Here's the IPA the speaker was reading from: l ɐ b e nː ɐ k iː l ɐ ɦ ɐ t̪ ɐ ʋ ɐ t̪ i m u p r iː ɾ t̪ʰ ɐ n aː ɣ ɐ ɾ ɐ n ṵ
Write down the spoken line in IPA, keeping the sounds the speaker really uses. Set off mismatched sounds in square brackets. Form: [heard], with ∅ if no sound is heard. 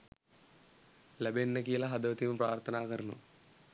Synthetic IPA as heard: l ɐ b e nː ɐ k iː l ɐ ɦ ɐ [d̪] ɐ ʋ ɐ t̪ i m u p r [aː] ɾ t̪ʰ ɐ n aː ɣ ɐ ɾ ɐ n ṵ